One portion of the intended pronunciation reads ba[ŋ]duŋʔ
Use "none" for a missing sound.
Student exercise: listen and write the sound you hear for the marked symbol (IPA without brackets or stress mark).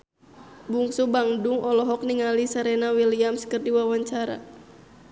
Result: ŋ